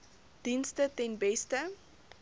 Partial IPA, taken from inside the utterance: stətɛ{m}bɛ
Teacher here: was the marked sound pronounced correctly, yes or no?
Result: no